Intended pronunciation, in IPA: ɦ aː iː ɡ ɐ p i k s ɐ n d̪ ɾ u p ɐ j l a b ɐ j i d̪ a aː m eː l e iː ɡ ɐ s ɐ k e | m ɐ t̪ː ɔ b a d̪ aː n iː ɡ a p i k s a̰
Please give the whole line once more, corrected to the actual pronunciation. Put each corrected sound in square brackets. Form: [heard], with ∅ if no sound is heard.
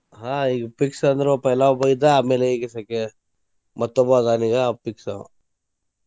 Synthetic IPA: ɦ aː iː ɡ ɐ p i k s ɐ n d̪ ɾ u p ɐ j l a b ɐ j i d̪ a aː m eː l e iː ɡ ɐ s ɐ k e | m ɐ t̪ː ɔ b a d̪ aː n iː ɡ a p i k s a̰

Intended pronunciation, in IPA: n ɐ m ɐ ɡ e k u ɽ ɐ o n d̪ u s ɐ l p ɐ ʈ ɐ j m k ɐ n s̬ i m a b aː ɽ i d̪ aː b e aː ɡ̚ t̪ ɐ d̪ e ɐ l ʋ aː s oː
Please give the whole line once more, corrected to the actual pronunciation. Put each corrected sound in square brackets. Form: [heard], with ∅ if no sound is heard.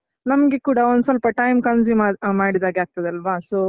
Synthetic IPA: n ɐ m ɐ ɡ e k [uː] ɽ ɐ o n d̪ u s ɐ l p ɐ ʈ ɐ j m k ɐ n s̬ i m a [m] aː ɽ i d̪ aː [ɡ] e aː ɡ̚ t̪ ɐ d̪ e ɐ l ʋ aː s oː

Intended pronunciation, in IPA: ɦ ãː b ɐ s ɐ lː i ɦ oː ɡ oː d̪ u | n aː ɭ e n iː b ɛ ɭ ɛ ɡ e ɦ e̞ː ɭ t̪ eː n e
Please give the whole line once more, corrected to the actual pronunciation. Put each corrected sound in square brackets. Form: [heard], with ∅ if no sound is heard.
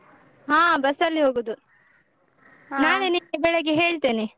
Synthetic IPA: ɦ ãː b ɐ s ɐ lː i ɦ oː ɡ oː d̪ u | n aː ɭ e n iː b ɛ ɭ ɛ ɡ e ɦ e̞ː ɭ t̪ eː n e

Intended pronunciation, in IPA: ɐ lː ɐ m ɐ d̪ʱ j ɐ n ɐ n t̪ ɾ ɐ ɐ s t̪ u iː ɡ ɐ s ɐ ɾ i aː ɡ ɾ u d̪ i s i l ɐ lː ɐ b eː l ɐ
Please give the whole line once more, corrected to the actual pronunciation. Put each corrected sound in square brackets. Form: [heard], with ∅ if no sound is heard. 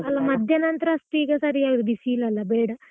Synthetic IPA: ɐ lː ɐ m ɐ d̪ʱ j ɐ n ɐ n t̪ ɾ ɐ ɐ s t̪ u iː ɡ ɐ s ɐ ɾ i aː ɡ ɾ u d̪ i s i l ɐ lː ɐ b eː [ɽ] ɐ

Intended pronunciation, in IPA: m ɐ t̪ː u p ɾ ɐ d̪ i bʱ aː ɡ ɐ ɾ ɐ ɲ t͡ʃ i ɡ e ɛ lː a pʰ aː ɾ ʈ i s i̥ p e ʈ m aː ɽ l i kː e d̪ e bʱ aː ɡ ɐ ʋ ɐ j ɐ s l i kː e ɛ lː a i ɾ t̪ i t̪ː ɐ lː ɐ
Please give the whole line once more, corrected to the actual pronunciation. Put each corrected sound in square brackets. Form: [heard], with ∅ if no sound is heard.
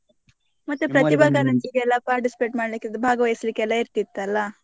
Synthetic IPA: m ɐ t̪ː u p ɾ ɐ [t̪] i bʱ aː ɡ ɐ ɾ ɐ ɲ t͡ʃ i ɡ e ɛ lː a [p] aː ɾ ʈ i s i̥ p e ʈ m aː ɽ l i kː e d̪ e bʱ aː ɡ ɐ ʋ ɐ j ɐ s l i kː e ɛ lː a i ɾ t̪ i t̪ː ɐ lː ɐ

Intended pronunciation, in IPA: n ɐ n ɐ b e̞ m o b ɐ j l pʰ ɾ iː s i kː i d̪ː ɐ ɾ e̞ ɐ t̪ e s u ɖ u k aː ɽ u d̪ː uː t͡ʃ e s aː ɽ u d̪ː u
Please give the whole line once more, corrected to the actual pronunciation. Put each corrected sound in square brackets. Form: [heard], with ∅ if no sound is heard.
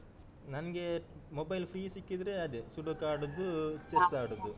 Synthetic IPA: n ɐ n ɐ [ɡ] e̞ m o b ɐ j l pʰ ɾ iː s i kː i [d̪] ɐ ɾ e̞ ɐ [d̪] e s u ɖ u k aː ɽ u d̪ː [u] t͡ʃ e s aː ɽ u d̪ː u

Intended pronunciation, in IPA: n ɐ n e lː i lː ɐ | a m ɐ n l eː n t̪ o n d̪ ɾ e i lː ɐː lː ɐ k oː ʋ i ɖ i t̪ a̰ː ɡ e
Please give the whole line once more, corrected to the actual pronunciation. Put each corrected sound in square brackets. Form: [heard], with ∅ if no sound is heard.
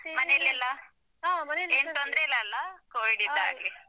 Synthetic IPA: [m] ɐ n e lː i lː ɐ | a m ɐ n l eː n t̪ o n d̪ ɾ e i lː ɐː lː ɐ k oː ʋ i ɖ i [d̪] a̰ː ɡ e

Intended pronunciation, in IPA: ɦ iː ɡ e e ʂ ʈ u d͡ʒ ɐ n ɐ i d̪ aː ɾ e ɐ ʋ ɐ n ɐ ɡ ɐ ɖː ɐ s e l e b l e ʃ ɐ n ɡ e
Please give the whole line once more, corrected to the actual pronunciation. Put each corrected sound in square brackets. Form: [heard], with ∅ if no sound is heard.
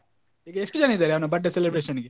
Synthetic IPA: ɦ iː ɡ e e ʂ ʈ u d͡ʒ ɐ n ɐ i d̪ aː ɾ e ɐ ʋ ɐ n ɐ [b] ɐ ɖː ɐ s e l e b [ɾ] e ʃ ɐ n ɡ e

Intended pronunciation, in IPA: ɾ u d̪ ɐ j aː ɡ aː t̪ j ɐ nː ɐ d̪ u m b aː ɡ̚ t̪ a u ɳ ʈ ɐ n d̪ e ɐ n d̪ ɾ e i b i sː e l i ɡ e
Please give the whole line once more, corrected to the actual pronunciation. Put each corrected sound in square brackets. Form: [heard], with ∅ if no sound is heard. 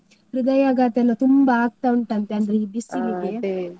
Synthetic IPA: ɾ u d̪ ɐ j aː ɡ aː t̪ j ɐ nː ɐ [t̪] u m b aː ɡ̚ t̪ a u ɳ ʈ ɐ n [t̪] e ɐ n d̪ ɾ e i b i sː [i] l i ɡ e

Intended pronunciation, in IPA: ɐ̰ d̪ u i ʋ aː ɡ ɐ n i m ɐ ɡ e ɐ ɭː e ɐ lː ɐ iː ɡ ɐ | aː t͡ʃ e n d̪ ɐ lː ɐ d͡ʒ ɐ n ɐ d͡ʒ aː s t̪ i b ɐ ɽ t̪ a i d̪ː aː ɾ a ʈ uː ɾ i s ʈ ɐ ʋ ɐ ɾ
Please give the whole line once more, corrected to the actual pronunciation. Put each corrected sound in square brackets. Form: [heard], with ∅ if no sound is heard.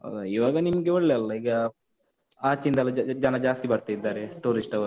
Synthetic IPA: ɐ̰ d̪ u i ʋ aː ɡ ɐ n i m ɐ ɡ e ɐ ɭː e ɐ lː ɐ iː ɡ ɐ | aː t͡ʃ [i] n d̪ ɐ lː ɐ d͡ʒ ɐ n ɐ d͡ʒ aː s t̪ i b ɐ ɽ t̪ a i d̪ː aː ɾ [e] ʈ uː ɾ i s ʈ ɐ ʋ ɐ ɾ

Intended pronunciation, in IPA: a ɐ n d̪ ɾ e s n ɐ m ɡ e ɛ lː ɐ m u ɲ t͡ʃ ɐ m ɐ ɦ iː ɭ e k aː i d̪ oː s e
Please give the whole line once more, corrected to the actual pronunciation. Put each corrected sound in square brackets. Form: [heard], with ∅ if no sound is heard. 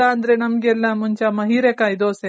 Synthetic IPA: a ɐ n d̪ ɾ e [∅] n ɐ m ɡ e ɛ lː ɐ m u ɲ t͡ʃ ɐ m ɐ ɦ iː [ɾ] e k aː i d̪ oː s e

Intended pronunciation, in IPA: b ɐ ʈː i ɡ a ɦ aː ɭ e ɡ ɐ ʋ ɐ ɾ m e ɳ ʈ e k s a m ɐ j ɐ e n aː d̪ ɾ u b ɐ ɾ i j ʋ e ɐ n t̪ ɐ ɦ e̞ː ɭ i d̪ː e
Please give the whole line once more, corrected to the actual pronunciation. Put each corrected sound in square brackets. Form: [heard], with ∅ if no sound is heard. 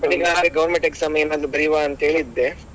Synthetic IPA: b ɐ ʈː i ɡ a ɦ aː [ɾ] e ɡ ɐ ʋ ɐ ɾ m e ɳ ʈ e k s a m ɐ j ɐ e n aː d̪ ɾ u b ɐ ɾ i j ʋ [a] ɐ n t̪ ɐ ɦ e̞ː ɭ i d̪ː e

